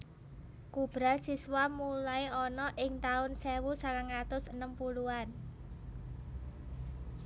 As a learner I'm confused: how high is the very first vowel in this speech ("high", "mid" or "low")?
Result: high